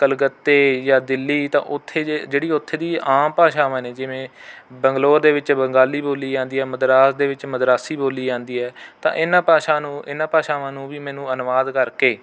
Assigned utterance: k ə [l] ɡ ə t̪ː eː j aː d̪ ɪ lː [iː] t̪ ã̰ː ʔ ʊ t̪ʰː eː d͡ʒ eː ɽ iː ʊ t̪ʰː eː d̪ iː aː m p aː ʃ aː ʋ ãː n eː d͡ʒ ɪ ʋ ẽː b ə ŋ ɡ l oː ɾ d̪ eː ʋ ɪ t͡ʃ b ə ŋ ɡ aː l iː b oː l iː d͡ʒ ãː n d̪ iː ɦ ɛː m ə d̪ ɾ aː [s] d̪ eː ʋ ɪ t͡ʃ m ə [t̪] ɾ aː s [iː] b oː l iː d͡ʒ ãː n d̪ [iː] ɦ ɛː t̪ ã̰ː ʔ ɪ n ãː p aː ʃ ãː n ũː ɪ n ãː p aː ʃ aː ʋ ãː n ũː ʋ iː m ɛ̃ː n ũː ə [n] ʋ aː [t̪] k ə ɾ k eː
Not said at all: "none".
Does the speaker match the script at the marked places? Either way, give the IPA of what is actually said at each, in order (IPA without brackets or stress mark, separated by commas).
l, iː, s, d̪, iː, iː, n, d̪